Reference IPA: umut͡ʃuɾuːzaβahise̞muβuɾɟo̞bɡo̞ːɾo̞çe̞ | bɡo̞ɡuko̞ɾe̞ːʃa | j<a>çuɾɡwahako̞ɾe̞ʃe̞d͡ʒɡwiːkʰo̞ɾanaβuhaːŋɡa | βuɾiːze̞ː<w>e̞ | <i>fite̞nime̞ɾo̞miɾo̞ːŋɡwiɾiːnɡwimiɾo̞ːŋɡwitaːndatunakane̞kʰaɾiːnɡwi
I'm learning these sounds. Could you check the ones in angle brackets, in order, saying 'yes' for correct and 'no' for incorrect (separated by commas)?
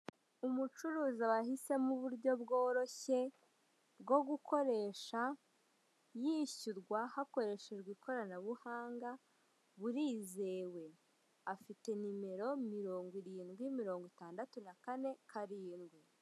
no, yes, no